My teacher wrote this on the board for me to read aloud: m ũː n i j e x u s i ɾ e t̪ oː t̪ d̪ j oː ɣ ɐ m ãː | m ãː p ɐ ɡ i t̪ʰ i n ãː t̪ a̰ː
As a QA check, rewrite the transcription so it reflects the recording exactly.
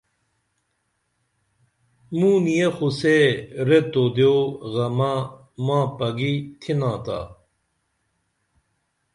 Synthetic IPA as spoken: m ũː n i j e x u s e ɾ e t̪ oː d̪ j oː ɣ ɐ m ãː | m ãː p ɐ ɡ i t̪ʰ i n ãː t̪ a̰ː